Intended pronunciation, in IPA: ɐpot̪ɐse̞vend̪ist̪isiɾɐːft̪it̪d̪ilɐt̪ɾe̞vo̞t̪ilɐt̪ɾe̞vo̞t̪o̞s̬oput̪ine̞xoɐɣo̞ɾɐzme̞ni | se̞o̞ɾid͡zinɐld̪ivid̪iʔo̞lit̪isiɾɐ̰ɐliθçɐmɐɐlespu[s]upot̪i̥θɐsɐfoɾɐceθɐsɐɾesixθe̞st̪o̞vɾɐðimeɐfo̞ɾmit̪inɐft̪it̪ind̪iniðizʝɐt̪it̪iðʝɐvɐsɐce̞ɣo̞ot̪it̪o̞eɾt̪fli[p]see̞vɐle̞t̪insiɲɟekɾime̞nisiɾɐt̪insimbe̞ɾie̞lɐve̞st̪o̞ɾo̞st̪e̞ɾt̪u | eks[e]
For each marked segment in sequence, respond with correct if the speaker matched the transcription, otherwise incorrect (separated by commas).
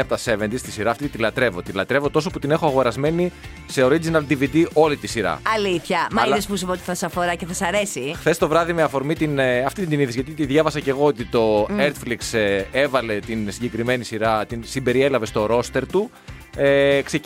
correct, incorrect, correct